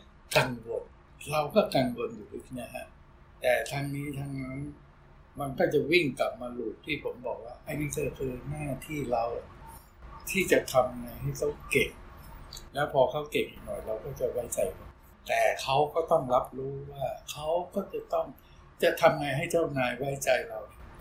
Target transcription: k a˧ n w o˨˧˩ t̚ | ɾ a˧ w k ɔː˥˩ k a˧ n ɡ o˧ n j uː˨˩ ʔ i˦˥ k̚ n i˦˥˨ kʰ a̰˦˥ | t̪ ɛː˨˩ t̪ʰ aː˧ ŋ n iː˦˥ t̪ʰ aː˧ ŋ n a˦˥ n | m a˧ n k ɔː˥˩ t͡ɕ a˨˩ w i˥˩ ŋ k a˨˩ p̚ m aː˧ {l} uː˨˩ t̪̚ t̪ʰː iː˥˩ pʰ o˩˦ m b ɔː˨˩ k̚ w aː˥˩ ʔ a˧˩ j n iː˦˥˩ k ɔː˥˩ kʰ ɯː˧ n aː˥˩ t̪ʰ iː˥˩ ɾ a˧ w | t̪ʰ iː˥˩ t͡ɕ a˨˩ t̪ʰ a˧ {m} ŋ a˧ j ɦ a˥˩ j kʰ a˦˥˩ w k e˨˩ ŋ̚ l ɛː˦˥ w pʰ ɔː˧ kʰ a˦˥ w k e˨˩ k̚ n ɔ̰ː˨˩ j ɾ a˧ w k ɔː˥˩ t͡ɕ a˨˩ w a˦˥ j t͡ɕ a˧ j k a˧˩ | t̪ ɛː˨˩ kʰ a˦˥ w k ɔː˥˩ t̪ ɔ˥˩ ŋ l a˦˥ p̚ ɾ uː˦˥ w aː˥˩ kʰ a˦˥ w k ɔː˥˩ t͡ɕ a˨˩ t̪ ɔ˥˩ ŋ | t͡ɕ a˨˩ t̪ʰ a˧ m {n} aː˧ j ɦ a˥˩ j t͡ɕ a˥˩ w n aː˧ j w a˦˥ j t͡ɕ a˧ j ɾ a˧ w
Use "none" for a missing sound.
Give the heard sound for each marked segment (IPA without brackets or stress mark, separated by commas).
l, m, ŋ